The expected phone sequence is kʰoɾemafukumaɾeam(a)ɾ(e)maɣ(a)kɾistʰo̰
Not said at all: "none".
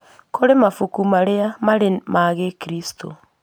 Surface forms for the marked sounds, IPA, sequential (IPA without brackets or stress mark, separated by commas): a, e, e